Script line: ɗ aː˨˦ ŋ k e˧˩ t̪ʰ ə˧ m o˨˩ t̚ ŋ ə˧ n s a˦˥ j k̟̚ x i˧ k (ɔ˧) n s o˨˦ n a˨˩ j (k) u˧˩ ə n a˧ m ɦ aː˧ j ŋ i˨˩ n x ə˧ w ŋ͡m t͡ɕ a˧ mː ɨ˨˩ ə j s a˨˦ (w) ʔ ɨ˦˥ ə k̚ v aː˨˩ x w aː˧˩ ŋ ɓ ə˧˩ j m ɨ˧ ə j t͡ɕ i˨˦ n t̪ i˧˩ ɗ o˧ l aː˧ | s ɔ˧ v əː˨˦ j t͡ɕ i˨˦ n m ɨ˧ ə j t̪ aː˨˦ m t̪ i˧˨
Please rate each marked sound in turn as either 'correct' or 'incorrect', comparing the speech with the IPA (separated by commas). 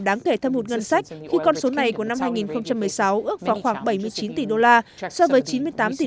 correct, correct, correct